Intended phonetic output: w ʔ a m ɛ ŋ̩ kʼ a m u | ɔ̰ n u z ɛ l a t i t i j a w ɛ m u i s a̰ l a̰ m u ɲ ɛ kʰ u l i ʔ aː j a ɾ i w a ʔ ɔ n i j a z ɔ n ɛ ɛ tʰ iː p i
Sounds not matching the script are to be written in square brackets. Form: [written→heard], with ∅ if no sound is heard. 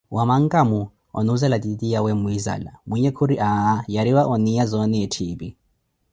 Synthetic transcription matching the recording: w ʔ a m [ɛ→a] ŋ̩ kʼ a m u | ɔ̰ n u z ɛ l a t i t i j a w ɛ m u i [s→z] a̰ l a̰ m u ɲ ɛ kʰ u [l→ɾ] i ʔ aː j a ɾ i w a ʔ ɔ n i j a z ɔ n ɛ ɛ tʰ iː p i